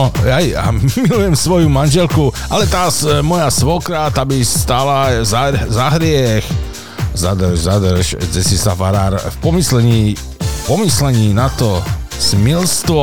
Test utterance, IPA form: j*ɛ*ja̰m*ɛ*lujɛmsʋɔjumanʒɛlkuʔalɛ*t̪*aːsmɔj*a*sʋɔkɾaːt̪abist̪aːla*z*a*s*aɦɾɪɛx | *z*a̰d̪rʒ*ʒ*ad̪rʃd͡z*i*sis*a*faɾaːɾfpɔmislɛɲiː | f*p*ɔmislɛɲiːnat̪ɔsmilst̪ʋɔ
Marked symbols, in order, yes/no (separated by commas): no, no, yes, yes, yes, no, yes, no, no, yes, yes